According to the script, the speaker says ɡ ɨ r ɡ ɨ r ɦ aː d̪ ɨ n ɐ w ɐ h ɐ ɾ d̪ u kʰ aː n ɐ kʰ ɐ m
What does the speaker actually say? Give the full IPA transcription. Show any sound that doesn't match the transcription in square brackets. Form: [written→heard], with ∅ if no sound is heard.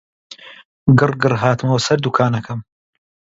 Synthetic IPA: ɡ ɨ r ɡ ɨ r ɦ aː [d̪→t̪] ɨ [n→m] ɐ w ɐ [h→s] ɐ ɾ d̪ u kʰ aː n ɐ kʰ ɐ m

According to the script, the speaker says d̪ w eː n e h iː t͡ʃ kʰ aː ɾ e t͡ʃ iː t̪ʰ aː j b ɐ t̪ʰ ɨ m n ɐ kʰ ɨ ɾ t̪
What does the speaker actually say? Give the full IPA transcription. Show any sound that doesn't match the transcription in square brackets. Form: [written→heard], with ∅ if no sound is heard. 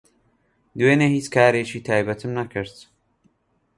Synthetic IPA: d̪ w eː n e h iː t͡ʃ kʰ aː ɾ e t͡ʃ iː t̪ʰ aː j b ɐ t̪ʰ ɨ m n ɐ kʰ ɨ ɾ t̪

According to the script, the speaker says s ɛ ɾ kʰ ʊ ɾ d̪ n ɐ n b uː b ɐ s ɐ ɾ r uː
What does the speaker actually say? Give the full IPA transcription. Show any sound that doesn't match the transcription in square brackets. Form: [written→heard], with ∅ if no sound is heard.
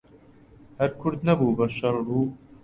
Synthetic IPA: [s→h] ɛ ɾ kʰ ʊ ɾ d̪ n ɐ [n→∅] b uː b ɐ [s→ʃ] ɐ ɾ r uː

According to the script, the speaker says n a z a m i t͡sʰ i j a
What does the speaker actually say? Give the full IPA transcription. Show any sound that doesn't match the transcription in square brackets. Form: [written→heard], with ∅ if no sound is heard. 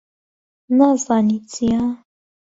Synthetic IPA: n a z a [m→n] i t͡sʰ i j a

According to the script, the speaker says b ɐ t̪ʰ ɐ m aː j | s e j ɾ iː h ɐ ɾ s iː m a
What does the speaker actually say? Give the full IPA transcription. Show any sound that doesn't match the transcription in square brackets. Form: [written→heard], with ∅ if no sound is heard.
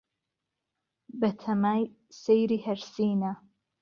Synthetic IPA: b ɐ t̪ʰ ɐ m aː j | s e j ɾ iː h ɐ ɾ s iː [m→n] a

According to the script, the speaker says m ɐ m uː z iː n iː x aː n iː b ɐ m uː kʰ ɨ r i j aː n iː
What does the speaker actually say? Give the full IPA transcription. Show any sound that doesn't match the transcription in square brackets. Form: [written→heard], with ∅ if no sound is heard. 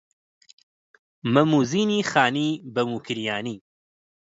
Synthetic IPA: m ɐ m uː z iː n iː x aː n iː b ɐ m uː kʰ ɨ [r→ɾ] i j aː n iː

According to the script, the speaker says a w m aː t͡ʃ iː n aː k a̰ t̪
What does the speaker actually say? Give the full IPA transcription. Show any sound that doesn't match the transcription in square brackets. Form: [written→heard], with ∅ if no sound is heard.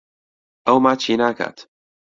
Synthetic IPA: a w m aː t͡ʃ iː n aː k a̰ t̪

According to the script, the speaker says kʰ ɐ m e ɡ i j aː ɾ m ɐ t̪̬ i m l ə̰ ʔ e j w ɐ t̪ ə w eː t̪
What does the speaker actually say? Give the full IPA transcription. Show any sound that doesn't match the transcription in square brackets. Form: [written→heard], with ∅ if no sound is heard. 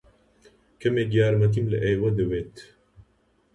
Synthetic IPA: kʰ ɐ m e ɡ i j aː ɾ m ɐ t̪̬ i m l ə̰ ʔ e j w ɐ [t̪→d̪] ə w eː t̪

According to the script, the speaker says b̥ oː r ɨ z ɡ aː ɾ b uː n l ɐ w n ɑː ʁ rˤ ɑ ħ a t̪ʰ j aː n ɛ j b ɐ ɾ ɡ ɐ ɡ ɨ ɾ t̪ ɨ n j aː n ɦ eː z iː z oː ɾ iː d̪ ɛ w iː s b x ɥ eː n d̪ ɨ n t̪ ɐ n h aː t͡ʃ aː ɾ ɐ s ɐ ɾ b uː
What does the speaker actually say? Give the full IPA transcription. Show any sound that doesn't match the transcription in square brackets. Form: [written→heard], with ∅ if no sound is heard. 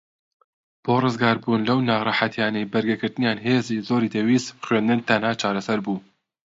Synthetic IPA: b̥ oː r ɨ z ɡ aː ɾ b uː n l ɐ w n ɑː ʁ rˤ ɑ ħ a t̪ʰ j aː n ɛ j b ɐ ɾ ɡ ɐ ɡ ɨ ɾ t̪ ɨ n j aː n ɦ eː z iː z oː ɾ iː d̪ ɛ w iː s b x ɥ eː n d̪ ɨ n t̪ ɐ n h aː t͡ʃ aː ɾ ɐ s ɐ ɾ b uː

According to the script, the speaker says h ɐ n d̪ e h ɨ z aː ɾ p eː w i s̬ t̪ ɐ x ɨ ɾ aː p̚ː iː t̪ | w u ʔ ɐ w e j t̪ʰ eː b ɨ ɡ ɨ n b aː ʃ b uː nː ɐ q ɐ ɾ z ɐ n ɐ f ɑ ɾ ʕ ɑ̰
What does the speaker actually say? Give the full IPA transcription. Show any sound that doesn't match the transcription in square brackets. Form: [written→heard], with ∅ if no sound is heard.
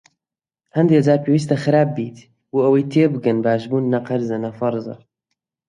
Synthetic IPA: h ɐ n d̪ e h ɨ z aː ɾ p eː w i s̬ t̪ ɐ x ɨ ɾ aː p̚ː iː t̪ | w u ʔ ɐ w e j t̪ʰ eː b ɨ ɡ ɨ n b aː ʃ b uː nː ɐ q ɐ ɾ z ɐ n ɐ f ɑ ɾ [ʕ→z] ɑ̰

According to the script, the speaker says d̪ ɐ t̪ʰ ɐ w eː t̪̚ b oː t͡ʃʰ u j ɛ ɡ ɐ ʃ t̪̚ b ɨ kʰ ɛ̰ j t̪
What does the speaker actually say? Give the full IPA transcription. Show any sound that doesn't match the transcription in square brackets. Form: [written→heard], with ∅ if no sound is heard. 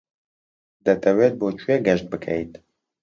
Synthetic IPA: d̪ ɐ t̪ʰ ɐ w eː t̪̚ b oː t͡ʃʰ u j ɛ ɡ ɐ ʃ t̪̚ b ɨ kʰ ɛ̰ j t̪

